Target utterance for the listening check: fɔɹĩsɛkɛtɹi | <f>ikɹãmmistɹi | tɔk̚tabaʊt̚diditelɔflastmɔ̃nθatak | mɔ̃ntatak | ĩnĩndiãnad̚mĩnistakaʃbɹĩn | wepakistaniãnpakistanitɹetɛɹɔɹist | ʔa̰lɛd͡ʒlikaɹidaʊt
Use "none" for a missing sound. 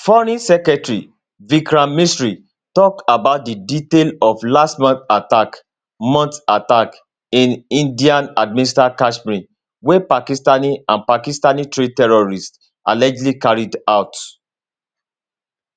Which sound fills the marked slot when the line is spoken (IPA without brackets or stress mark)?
v